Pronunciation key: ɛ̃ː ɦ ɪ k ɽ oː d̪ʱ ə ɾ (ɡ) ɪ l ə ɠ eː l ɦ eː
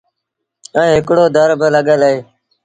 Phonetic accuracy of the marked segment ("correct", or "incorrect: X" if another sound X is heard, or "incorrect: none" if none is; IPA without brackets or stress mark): incorrect: b